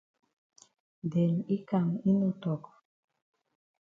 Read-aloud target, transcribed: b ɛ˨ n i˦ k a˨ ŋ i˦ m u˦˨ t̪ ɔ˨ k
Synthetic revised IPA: d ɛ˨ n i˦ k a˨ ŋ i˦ n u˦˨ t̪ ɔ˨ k